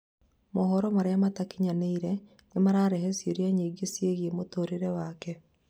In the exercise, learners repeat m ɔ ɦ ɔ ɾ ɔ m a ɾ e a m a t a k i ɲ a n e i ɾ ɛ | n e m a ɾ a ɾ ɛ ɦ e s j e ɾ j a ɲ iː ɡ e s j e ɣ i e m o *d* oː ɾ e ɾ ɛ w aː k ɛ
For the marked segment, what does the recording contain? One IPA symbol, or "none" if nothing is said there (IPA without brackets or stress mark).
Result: t